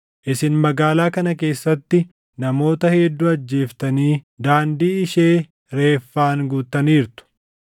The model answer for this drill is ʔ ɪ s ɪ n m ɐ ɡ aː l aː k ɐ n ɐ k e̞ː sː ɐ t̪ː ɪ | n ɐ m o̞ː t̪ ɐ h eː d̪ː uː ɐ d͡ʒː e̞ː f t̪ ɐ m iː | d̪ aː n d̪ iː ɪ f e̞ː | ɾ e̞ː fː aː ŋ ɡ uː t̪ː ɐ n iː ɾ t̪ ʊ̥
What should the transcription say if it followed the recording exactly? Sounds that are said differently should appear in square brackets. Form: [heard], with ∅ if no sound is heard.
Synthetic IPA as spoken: ʔ ɪ s ɪ n m ɐ ɡ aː l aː k ɐ n ɐ k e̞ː sː ɐ t̪ː ɪ | n ɐ m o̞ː t̪ ɐ h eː d̪ː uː ɐ d͡ʒː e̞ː f t̪ ɐ [n] iː | d̪ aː n d̪ iː ɪ [ʃ] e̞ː | ɾ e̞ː fː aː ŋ ɡ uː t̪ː ɐ n iː ɾ t̪ ʊ̥